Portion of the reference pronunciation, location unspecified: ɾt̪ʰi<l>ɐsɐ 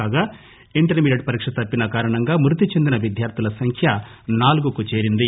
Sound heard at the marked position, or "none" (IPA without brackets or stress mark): l